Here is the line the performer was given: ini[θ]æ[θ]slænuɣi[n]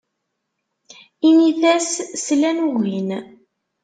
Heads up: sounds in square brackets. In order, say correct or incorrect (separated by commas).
correct, incorrect, correct